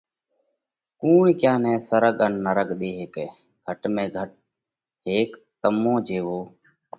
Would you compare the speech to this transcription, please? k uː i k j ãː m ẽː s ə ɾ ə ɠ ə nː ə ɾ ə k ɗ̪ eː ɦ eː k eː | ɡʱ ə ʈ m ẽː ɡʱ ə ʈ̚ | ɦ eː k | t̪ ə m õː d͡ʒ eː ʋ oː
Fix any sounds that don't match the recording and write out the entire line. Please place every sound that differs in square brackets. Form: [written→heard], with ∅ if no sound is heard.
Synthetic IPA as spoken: k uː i k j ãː [m→n] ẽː s ə ɾ ə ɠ ə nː ə ɾ ə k ɗ̪ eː ɦ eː k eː | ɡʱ ə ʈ m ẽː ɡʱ ə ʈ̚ | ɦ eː k | t̪ ə m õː d͡ʒ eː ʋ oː